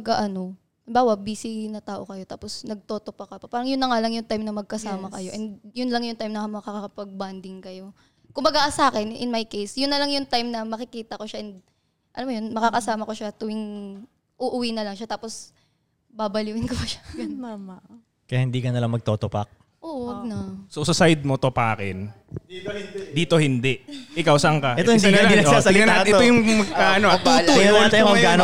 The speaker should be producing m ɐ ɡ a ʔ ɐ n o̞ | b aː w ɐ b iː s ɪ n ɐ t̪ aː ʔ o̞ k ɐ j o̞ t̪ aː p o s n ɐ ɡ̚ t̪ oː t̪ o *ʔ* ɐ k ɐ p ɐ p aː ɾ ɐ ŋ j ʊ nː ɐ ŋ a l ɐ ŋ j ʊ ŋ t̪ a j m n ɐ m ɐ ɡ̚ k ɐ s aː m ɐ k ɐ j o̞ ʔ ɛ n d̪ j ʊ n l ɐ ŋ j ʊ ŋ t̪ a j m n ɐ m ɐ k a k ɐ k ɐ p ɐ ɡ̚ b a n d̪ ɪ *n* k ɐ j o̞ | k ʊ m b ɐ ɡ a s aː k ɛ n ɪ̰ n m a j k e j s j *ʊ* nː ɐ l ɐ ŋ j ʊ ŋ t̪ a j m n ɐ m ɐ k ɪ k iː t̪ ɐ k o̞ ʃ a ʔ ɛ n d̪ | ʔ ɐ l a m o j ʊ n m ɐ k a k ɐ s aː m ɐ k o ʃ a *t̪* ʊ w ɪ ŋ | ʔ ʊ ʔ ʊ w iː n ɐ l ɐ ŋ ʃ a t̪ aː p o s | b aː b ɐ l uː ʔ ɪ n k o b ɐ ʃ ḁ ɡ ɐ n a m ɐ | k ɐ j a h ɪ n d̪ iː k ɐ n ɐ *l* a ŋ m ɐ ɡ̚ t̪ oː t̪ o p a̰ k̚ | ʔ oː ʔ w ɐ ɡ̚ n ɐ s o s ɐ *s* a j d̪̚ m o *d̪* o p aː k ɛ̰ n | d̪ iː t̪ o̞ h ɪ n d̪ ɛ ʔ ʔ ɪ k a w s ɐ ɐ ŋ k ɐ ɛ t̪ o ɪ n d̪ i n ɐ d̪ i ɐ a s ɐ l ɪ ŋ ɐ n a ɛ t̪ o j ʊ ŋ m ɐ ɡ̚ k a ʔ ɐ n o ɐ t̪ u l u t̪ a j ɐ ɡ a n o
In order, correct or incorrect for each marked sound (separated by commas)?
incorrect, incorrect, correct, correct, correct, correct, incorrect